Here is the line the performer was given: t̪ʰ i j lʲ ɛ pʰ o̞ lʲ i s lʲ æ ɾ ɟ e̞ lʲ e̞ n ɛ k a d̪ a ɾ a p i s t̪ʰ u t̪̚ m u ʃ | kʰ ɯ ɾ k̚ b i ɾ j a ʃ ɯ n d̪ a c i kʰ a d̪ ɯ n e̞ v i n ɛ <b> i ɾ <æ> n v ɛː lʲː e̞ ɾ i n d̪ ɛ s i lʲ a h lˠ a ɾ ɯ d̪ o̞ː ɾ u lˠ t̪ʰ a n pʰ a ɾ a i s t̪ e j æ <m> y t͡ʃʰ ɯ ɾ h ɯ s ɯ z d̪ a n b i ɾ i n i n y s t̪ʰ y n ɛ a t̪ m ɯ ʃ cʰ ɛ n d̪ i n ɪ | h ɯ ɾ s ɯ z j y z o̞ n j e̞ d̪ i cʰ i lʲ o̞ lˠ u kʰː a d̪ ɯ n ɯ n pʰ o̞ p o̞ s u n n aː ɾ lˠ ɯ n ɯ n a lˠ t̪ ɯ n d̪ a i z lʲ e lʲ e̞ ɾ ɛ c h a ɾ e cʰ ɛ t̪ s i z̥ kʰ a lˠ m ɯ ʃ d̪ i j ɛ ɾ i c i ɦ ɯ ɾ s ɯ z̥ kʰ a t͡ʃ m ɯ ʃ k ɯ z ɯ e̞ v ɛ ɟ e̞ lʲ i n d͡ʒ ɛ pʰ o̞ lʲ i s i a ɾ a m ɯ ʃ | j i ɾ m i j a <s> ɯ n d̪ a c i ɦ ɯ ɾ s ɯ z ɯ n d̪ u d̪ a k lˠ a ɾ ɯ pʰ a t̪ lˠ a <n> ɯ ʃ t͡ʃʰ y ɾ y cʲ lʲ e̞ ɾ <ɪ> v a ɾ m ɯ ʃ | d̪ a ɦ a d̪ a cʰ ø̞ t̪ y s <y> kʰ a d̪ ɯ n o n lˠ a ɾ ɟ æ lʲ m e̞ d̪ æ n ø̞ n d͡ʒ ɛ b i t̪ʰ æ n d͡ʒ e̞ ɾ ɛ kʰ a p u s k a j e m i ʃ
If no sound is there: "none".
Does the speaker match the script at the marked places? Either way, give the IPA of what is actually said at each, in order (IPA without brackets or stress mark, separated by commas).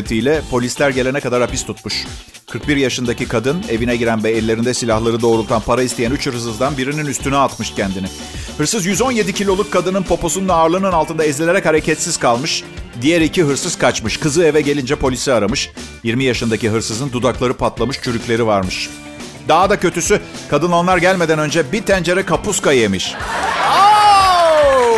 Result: ɟ, æ, n, ʃ, m, i, y